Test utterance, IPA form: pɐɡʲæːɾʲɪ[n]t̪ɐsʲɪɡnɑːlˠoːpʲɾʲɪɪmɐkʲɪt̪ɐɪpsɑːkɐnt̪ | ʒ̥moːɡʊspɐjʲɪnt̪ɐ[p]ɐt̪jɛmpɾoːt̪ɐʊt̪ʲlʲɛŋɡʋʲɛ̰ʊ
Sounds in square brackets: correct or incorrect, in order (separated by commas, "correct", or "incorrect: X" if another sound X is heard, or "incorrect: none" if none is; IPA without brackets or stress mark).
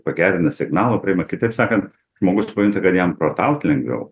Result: correct, incorrect: k